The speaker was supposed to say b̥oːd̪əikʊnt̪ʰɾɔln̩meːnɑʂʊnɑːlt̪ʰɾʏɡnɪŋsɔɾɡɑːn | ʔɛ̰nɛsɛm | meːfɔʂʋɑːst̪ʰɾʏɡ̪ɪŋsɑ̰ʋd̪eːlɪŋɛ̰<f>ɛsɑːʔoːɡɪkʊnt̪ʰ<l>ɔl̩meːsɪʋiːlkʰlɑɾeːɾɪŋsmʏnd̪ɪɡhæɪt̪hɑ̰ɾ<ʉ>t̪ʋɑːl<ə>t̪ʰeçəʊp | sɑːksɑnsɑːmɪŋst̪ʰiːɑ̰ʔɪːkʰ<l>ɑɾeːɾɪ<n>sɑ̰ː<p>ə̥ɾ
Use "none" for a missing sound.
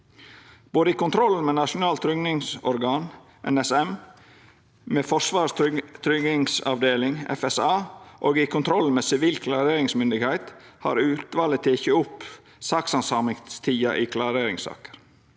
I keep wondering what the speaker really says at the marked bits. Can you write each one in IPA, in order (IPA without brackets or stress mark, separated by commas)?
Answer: f, ɾ, ʉː, ə, l, ŋ, k